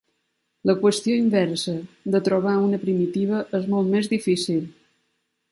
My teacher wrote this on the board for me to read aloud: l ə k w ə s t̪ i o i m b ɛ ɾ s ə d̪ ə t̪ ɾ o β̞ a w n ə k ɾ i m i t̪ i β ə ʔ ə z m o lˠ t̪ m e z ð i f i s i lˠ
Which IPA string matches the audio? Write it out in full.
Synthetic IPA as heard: l ə k w ə s t̪ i o i m b ɛ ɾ s ə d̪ ə t̪ ɾ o β̞ a u n ə p ɾ i m i t̪ i β ə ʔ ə z m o lˠ t̪ m e z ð i f i s i lˠ